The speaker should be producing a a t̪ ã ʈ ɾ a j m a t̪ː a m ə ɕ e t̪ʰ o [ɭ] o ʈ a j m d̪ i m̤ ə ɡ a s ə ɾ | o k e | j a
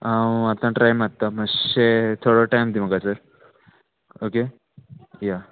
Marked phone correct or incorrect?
incorrect